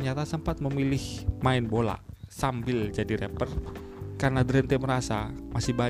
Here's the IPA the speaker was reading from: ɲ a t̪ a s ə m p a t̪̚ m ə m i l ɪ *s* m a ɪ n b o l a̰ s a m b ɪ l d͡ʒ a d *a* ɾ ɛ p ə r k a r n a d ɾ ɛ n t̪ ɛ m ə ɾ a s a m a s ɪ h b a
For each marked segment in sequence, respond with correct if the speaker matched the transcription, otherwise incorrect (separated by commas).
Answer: incorrect, incorrect